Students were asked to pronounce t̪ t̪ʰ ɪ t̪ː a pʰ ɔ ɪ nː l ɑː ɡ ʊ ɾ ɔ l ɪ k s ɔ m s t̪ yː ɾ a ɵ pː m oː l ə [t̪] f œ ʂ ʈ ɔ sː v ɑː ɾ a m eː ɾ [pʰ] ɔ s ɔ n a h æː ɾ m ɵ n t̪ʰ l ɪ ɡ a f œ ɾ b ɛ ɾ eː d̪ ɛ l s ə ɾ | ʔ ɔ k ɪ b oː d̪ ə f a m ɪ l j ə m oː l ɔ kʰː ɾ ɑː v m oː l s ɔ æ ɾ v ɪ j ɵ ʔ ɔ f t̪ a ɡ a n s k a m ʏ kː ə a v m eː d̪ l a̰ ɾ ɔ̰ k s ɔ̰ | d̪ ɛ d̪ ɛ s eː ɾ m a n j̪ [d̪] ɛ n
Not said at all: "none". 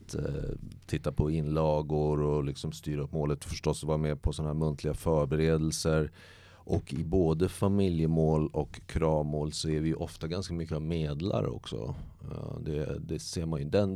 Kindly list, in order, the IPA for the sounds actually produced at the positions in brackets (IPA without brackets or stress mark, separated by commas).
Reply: t̪, pʰ, d̪